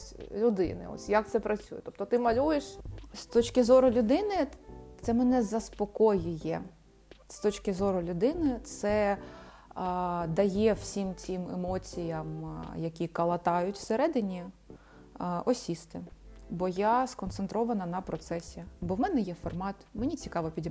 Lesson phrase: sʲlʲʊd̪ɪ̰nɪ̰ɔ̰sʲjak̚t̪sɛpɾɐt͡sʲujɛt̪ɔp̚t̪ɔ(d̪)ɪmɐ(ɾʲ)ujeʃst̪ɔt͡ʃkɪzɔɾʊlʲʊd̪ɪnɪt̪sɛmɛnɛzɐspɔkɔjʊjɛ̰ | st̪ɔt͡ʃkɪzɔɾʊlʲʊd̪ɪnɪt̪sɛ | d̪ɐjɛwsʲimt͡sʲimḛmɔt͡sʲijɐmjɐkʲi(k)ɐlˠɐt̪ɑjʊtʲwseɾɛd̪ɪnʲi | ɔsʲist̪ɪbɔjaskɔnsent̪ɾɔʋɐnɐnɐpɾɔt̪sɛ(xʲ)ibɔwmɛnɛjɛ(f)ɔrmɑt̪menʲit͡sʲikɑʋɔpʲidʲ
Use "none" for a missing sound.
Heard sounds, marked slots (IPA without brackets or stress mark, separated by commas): t̪, lʲ, k, sʲ, f